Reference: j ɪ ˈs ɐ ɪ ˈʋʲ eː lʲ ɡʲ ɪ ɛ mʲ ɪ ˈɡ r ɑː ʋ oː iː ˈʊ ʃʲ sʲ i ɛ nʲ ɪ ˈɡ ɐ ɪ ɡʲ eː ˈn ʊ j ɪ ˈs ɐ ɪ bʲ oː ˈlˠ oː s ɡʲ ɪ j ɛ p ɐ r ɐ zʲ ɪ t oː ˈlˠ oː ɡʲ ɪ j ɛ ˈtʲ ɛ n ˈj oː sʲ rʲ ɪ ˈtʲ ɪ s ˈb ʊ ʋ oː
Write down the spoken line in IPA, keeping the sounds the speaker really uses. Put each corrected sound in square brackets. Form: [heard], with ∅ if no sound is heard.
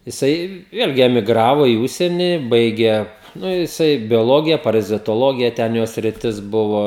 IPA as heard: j ɪ ˈs ɐ ɪ ˈʋʲ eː lʲ ɡʲ ɪ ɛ mʲ ɪ ˈɡ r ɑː ʋ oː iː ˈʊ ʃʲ sʲ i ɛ nʲ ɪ [ˈb] ɐ ɪ ɡʲ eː ˈn ʊ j ɪ ˈs ɐ ɪ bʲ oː ˈlˠ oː [∅] ɡʲ ɪ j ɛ p ɐ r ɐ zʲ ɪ t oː ˈlˠ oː ɡʲ ɪ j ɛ ˈtʲ ɛ n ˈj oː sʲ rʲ ɪ ˈtʲ ɪ s ˈb ʊ ʋ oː